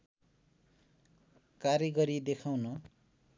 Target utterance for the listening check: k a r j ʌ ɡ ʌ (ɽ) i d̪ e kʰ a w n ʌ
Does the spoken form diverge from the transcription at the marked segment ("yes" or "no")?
yes